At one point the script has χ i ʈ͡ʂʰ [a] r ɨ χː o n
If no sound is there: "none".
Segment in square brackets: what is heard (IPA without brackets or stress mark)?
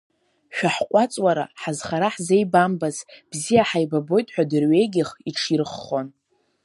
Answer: i